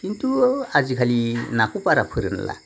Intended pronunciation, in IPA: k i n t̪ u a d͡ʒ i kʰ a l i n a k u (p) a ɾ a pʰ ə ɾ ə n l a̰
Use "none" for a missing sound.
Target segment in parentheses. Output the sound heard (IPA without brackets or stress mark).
p